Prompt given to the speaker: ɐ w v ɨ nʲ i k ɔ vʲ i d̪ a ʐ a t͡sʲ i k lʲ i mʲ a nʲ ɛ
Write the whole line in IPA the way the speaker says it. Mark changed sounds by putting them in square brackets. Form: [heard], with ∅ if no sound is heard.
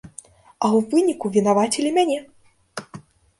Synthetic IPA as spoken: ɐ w v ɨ nʲ i k [u] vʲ i [n̪] a [v] a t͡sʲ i [∅] lʲ i mʲ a nʲ ɛ

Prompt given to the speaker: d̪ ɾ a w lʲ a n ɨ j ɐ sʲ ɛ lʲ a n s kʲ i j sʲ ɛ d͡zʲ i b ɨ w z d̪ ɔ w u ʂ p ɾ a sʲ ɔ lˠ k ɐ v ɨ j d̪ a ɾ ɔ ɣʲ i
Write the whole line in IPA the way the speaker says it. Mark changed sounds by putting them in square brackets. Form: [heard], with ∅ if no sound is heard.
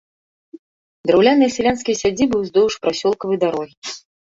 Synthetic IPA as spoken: d̪ ɾ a w lʲ a n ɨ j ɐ sʲ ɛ lʲ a n s kʲ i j sʲ [a] d͡zʲ i b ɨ w z d̪ ɔ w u ʂ p ɾ a sʲ ɔ lˠ k ɐ v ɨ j d̪ a ɾ ɔ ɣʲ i

